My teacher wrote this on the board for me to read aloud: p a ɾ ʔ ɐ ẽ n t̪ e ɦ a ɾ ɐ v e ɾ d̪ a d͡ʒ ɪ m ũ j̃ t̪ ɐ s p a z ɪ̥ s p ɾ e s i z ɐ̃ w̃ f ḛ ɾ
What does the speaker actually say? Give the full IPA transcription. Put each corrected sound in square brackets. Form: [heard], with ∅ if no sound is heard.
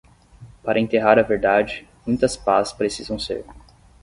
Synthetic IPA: p a ɾ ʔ ɐ ẽ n t̪ e ɦ a ɾ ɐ v e ɾ d̪ a d͡ʒ ɪ m ũ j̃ t̪ ɐ s p a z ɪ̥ s p ɾ e s i z ɐ̃ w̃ [s] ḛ ɾ